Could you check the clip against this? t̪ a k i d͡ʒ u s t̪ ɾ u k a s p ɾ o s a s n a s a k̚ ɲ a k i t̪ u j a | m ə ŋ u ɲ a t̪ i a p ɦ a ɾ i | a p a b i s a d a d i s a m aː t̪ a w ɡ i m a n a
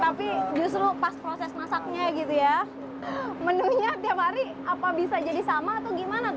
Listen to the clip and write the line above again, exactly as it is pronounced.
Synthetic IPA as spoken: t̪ a p i d͡ʒ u s t̪ ɾ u p a s p ɾ o s ɛ s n a s a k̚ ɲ a ɡ i t̪ u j a | m ə n u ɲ a t̪ i a p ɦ a ɾ i | a p a b i s a d͡ʒ a d i s a m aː t̪ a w ɡ i m a n a